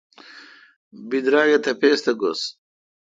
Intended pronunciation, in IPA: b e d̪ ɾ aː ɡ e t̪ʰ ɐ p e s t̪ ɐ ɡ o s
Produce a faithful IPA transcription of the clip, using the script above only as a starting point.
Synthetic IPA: b i d̪ ɾ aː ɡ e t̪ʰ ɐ p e s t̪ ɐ ɡ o s